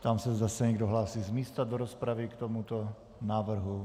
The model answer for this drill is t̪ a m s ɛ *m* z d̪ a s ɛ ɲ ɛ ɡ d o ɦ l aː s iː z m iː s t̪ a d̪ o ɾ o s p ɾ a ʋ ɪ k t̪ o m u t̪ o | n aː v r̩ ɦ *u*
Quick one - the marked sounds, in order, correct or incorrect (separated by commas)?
incorrect, correct